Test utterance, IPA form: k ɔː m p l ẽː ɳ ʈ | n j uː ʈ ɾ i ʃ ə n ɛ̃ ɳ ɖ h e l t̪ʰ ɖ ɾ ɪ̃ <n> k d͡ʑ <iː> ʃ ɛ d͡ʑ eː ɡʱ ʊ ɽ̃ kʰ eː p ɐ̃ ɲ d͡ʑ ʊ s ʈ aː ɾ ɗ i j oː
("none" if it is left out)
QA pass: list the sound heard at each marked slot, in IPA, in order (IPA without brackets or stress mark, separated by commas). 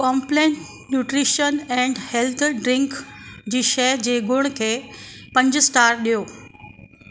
ŋ, iː